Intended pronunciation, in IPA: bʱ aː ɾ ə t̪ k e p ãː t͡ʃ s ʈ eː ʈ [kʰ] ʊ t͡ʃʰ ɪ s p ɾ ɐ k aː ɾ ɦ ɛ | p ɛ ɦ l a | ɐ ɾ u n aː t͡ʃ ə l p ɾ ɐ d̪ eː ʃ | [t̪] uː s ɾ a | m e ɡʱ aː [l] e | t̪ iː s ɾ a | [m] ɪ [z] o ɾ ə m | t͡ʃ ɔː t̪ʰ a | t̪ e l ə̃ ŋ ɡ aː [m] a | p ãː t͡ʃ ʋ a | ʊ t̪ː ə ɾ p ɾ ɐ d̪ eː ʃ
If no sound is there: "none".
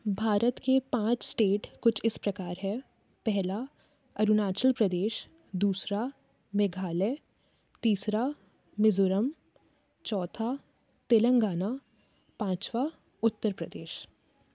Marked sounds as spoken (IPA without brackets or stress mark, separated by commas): k, d̪, l, m, z, n